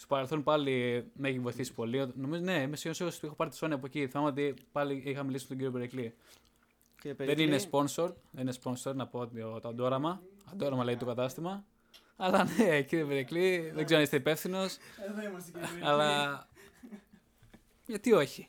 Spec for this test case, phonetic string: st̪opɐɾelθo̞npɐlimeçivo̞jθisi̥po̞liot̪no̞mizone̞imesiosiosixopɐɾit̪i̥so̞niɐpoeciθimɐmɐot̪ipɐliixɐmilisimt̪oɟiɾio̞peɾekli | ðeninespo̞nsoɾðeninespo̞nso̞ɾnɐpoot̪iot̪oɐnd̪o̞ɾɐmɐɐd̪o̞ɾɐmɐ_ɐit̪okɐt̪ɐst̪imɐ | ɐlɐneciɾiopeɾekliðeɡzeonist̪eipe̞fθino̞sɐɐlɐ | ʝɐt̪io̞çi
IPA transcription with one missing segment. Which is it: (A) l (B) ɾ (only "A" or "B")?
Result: A